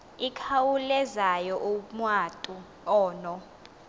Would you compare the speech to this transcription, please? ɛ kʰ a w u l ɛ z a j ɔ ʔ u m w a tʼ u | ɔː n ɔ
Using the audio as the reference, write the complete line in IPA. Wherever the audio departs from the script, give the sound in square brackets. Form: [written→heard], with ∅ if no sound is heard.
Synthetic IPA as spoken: [ɛ→i] kʰ a w u l ɛ z a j ɔ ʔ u m w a tʼ u | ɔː n ɔ